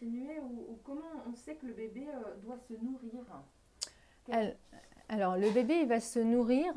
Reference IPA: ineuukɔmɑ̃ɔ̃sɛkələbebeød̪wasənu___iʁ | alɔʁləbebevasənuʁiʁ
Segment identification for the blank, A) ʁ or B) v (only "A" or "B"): A